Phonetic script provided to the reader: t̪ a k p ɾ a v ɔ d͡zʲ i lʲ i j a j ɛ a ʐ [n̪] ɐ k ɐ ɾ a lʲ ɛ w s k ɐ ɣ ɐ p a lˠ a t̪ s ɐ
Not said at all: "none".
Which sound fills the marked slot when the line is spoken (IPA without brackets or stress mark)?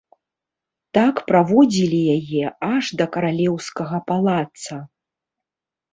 d̪